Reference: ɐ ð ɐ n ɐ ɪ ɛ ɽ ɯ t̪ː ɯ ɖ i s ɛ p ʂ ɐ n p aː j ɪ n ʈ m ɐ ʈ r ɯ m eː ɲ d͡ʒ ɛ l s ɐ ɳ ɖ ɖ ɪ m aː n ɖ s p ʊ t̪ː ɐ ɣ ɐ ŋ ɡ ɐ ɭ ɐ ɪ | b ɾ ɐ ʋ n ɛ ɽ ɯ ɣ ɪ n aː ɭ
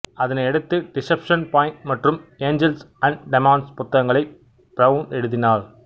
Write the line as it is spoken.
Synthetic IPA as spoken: ɐ ð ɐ n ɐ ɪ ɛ ɽ ɯ t̪ː ɯ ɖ ɪ s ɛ p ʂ ɐ n p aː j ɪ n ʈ m ɐ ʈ r ɯ m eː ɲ d͡ʒ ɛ l s ɐ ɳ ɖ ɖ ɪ m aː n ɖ s p ʊ t̪ː ɐ ɣ ɐ ŋ ɡ ɐ ɭ ɐ ɪ | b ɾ ɐ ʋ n ɛ ɽ ɯ ð ɪ n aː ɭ

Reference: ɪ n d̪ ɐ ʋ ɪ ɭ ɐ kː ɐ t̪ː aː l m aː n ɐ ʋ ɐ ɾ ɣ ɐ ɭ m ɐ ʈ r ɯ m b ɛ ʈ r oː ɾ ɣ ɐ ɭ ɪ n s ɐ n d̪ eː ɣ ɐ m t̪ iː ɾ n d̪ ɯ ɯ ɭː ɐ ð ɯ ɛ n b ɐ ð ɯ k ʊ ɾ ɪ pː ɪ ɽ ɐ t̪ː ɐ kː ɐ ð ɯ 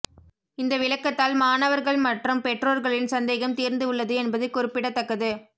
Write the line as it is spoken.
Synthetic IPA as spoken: ɪ n d̪ ɐ ʋ ɪ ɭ ɐ kː ɐ t̪ː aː l m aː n ɐ ʋ ɐ ɾ ɣ ɐ ɭ m ɐ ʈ r ɯ m p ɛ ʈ r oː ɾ ɣ ɐ ɭ ɪ n s ɐ n d̪ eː ɣ ɐ m t̪ iː ɾ n d̪ ɯ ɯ ɭː ɐ ð ɯ ɛ n b ɐ ð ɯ k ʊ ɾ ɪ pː ɪ ɽ ɐ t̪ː ɐ kː ɐ ð ɯ

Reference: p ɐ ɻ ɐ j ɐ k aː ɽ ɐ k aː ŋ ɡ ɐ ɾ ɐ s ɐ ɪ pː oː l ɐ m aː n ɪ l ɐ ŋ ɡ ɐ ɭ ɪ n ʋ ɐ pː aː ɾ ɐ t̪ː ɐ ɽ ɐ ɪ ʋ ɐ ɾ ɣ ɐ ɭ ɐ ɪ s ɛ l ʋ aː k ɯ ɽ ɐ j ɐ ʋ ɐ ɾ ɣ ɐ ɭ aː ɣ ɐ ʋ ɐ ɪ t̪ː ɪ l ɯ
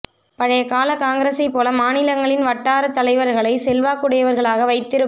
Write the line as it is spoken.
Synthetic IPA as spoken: p ɐ ɻ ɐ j ɐ k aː l ɐ k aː ŋ ɡ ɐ ɾ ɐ s ɐ ɪ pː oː l ɐ m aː n ɪ l ɐ ŋ ɡ ɐ ɭ ɪ n ʋ ɐ ʈː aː ɾ ɐ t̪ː ɐ l ɐ ɪ ʋ ɐ ɾ ɣ ɐ ɭ ɐ ɪ s ɛ l ʋ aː k ɯ ɽ ɐ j ɐ ʋ ɐ ɾ ɣ ɐ ɭ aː ɣ ɐ ʋ ɐ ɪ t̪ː ɪ ɾ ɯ

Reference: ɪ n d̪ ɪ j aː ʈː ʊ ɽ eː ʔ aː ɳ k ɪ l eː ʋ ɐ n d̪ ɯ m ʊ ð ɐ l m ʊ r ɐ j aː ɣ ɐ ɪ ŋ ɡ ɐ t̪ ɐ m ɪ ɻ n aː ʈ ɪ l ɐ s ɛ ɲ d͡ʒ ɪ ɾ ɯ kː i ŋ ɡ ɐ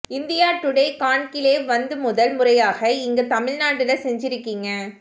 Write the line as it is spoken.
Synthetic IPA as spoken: ɪ n d̪ ɪ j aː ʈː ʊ ɽ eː k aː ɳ k ɪ l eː ʋ ɐ n d̪ ɯ m ʊ ð ɐ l m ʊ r ɐ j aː ɣ ɐ ɪ ŋ ɡ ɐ t̪ ɐ m ɪ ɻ n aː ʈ ɪ l ɐ s ɛ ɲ d͡ʒ ɪ ɾ ɯ kː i ŋ ɡ ɐ

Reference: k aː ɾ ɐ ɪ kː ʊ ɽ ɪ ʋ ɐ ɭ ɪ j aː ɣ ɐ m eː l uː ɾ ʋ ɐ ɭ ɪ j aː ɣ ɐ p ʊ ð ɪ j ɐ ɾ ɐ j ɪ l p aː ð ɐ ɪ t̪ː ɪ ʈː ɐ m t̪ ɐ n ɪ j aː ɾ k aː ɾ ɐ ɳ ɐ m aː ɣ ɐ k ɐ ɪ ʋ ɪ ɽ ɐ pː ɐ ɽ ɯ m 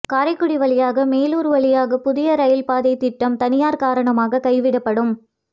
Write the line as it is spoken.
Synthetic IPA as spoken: k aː ɾ ɐ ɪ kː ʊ ɽ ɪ ʋ ɐ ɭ ɪ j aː ɣ ɐ m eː l uː ɾ ʋ ɐ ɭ ɪ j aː ɣ ɐ p ʊ ð ɪ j ɐ ɾ ɐ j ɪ l p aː ð ɐ ɪ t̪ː ɪ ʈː ɐ m t̪ ɐ n ɪ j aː ɾ k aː ɾ ɐ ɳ ɐ m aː ɣ ɐ k ɐ ɪ ʋ ɪ ɽ ɐ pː ɐ ɽ ɯ m

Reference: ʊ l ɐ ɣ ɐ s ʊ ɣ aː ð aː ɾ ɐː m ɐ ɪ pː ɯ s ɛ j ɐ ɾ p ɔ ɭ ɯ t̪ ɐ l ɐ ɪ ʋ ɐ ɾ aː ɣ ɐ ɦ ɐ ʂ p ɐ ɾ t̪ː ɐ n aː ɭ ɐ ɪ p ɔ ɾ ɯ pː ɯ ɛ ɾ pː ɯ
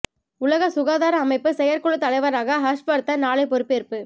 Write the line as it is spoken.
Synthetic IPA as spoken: ʊ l ɐ ɣ ɐ s ʊ ɣ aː ð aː ɾ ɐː m ɐ ɪ pː ɯ s ɛ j ɐ ɾ k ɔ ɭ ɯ t̪ ɐ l ɐ ɪ ʋ ɐ ɾ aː ɣ ɐ ɦ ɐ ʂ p ɐ ɾ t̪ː ɐ n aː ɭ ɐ ɪ p ɔ ɾ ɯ pː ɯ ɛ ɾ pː ɯ

